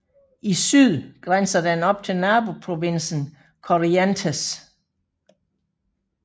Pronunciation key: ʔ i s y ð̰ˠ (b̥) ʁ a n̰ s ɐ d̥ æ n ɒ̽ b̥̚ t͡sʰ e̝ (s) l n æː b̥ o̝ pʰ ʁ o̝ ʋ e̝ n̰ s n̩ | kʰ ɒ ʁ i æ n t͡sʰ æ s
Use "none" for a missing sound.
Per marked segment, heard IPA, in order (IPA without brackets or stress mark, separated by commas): ɡ̥, none